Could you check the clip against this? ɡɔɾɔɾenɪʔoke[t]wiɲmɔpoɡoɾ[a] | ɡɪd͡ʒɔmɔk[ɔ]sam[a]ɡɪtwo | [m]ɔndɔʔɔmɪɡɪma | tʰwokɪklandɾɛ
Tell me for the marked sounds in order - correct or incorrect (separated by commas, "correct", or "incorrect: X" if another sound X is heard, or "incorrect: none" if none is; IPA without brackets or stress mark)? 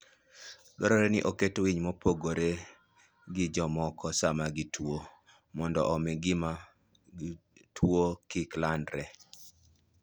correct, incorrect: e, correct, correct, correct